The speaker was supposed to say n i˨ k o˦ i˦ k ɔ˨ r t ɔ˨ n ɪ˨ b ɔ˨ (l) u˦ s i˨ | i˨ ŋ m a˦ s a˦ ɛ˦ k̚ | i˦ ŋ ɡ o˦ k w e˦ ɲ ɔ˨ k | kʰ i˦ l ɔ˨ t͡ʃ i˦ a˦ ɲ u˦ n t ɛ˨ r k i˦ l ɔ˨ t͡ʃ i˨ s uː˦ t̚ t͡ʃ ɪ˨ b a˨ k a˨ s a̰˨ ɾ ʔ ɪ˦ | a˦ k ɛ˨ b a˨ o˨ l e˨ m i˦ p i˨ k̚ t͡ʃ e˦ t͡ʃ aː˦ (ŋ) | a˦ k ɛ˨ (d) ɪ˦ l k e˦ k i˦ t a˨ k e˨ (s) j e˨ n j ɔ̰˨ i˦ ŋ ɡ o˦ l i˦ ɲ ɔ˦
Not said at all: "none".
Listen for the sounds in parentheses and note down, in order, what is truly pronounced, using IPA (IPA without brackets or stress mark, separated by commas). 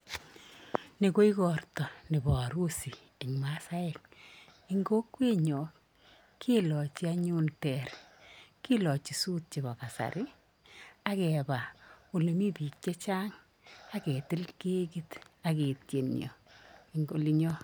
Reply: ɾ, ŋ, t, t